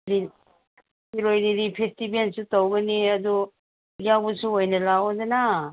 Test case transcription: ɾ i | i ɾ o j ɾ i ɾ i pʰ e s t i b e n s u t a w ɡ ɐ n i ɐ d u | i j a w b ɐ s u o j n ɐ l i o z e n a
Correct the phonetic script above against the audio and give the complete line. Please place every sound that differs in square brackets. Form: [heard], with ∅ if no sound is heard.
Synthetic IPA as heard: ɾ i | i ɾ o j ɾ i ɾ i pʰ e s t i b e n s u t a w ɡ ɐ n i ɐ d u | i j a w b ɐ s u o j n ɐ l [a] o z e n a